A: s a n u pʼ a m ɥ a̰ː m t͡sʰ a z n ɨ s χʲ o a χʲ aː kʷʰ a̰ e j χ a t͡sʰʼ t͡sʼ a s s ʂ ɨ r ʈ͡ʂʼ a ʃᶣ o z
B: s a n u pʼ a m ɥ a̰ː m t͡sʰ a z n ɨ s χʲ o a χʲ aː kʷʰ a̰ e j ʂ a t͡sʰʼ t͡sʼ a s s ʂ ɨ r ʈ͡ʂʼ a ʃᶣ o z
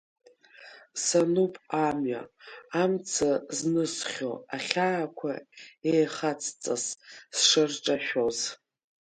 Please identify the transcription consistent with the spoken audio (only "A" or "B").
A